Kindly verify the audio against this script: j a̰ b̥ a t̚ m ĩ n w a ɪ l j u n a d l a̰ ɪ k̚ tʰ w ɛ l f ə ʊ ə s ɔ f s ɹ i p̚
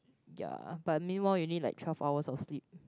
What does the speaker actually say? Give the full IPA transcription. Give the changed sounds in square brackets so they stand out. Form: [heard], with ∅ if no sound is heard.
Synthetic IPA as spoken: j a̰ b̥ a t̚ m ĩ n w a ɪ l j u n [i] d l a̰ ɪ k̚ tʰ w ɛ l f [a] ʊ ə s ɔ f s [l] i p̚